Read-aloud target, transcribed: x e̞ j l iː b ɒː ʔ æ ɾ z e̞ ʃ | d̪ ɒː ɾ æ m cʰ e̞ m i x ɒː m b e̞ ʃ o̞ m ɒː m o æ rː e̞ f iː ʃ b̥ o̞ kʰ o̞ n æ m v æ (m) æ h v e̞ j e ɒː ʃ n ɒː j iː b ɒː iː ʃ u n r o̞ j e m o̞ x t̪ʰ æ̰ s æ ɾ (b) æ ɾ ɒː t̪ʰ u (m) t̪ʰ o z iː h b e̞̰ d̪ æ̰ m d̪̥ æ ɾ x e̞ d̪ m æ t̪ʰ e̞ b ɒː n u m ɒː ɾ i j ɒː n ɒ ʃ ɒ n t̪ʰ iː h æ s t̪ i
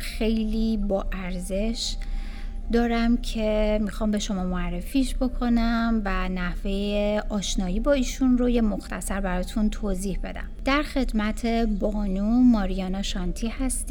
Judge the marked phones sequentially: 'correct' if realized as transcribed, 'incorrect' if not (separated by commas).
incorrect, correct, incorrect